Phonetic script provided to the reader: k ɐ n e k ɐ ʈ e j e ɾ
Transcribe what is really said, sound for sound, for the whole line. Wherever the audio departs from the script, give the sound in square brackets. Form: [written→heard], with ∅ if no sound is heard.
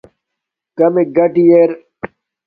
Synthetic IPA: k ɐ [n→m] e [k→ɡ] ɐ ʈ [e→i] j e ɾ